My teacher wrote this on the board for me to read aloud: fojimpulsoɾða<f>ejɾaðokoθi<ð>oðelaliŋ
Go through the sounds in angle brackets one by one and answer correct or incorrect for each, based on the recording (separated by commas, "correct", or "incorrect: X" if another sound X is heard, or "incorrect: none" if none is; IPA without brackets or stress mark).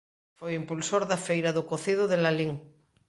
correct, correct